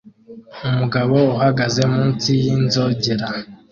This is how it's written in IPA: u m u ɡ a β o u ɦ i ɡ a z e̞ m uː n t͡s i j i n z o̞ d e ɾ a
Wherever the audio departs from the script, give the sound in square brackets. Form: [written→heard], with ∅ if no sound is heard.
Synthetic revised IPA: u m u ɡ a β o u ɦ [i→a] ɡ a z e̞ m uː n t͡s i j i n z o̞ [d→ɟ] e ɾ a